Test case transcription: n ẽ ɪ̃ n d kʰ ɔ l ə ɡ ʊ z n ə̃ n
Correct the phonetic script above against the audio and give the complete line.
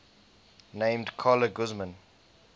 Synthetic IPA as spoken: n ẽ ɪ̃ m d kʰ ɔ l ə ɡ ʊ z m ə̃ n